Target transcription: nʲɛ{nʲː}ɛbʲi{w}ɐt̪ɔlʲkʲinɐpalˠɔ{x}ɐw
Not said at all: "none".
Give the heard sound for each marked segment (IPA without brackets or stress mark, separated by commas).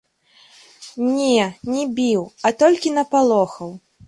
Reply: nʲ, w, x